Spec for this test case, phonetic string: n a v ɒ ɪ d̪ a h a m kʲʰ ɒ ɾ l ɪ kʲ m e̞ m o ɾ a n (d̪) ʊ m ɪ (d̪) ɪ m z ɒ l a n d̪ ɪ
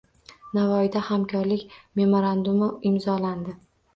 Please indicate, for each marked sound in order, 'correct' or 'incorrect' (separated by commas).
correct, incorrect